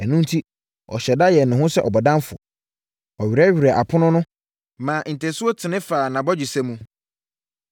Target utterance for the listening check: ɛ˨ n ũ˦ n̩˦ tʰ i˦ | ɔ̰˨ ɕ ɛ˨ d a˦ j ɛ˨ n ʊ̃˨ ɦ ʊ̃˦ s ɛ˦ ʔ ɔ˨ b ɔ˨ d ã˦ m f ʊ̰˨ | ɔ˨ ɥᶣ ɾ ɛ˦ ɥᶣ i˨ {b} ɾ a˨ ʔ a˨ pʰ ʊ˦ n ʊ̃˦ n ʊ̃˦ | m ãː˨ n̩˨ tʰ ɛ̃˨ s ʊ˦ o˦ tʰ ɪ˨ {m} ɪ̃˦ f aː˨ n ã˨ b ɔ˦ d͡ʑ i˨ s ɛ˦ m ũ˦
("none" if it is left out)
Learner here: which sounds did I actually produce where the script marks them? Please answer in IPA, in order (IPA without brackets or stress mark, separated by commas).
none, n